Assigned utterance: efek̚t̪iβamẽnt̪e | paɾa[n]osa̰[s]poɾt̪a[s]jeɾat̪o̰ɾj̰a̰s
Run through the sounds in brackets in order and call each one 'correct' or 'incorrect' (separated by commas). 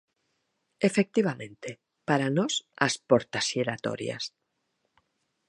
correct, correct, correct